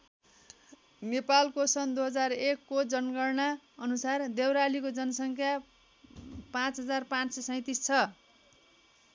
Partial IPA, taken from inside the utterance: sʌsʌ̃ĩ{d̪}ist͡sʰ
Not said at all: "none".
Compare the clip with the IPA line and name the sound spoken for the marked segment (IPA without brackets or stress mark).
t̪